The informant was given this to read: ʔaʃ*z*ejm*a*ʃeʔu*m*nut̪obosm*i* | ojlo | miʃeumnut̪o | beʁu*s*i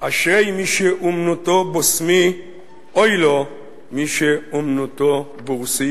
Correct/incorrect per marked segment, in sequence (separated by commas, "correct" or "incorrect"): incorrect, incorrect, correct, correct, correct